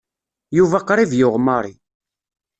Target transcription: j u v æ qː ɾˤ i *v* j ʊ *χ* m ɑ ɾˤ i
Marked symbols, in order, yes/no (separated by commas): yes, no